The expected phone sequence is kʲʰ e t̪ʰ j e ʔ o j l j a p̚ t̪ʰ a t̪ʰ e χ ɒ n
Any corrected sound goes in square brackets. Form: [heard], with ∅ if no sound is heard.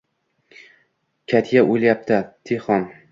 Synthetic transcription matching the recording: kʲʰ [a] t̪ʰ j [a] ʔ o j l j a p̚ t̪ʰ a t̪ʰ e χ ɒ n